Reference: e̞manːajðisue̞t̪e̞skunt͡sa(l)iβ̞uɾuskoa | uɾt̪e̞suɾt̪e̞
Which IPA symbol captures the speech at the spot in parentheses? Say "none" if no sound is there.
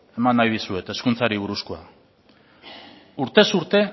ɾ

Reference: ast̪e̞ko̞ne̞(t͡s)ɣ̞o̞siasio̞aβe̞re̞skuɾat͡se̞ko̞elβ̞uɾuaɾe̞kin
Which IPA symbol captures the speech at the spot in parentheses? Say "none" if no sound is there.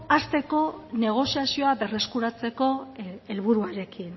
none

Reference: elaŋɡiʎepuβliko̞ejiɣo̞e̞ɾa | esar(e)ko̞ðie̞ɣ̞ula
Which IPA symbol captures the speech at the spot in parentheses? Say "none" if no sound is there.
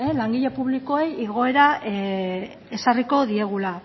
i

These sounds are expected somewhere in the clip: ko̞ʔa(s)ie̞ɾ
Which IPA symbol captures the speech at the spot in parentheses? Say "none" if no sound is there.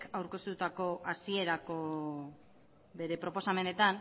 s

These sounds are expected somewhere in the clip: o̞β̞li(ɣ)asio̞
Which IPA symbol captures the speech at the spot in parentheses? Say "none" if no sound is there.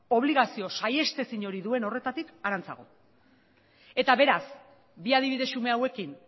ɣ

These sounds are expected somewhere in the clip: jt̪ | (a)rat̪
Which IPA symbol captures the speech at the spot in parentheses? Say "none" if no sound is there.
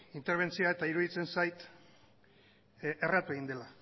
e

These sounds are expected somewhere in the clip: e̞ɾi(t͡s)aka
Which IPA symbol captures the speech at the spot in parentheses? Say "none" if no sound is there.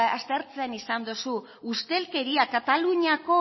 none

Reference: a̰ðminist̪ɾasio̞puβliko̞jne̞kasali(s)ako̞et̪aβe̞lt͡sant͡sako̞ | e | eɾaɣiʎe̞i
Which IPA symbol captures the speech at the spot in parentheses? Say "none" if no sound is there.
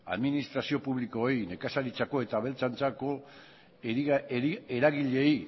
t͡s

